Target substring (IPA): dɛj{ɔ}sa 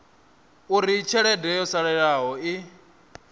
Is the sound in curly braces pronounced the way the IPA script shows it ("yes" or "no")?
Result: yes